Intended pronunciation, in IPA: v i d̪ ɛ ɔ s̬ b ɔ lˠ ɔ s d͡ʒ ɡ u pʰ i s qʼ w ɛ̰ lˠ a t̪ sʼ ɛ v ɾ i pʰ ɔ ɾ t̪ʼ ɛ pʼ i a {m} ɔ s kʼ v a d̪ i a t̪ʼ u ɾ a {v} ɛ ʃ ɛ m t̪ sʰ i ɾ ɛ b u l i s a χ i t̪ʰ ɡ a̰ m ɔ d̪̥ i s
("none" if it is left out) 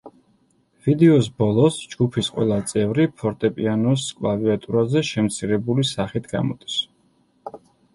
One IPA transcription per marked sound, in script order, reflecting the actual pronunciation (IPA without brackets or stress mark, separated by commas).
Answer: n, z